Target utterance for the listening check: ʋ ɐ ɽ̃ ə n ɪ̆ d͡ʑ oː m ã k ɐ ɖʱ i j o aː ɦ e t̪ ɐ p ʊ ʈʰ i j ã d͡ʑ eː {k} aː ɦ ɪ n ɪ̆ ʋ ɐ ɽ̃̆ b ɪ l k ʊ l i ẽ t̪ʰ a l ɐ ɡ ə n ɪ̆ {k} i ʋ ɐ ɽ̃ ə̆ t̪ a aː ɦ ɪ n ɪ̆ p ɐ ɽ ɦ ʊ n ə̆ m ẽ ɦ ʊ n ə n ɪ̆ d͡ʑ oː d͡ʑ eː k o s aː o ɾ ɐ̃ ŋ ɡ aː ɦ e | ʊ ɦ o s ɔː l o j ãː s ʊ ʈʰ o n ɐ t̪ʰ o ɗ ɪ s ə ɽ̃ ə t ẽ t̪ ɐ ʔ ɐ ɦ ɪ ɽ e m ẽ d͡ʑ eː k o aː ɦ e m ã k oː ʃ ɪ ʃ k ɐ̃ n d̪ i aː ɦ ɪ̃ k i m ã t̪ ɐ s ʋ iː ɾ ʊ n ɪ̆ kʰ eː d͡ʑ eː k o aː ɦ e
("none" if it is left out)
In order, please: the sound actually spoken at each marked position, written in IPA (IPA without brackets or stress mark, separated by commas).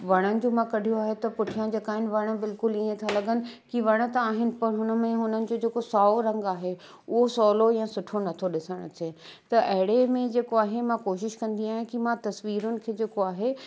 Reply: k, k